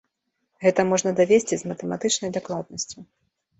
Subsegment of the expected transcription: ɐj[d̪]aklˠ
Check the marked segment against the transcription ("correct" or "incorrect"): correct